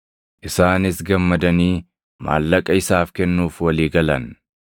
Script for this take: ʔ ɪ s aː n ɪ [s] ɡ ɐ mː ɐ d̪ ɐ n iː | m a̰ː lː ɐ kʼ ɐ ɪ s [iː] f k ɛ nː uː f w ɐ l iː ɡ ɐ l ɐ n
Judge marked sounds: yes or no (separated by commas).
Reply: yes, no